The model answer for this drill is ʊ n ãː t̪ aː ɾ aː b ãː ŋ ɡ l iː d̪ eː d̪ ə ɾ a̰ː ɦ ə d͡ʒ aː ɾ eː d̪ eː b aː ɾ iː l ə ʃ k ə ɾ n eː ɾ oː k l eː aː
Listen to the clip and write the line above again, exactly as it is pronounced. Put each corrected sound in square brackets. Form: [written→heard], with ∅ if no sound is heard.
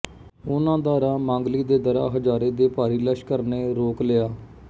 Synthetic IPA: ʊ n ãː [t̪→d̪] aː ɾ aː [b→m] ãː ŋ ɡ l iː d̪ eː d̪ ə ɾ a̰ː ɦ ə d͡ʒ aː ɾ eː d̪ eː [b→p] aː ɾ iː l ə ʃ k ə ɾ n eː ɾ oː k l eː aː